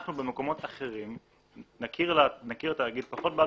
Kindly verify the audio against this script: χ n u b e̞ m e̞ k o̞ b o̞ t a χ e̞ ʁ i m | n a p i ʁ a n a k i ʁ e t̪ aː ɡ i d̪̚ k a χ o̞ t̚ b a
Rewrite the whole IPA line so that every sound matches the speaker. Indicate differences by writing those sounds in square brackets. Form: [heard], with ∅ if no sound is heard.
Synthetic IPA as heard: χ n u b e̞ m e̞ k o̞ [m] o̞ t a χ e̞ ʁ i m | n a [k] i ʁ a n a k i ʁ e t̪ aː ɡ i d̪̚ [p] a χ o̞ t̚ b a